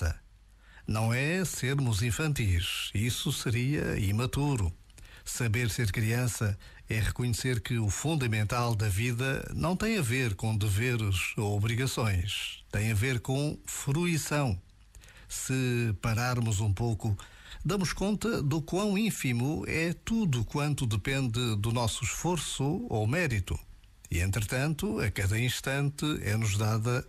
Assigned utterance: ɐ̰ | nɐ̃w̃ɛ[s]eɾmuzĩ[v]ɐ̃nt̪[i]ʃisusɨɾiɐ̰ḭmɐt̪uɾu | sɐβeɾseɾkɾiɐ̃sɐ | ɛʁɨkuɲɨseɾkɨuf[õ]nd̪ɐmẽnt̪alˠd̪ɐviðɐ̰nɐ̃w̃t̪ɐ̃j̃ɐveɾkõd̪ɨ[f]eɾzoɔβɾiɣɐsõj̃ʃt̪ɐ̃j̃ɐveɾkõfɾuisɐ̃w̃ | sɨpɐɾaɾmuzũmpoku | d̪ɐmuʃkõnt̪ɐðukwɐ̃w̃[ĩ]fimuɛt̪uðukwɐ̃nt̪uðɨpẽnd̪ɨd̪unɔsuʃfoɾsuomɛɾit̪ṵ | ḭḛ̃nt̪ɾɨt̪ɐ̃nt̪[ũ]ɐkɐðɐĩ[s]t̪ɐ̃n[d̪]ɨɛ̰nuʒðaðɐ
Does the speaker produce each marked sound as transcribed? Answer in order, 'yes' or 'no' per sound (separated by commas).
yes, no, yes, no, no, yes, no, no, no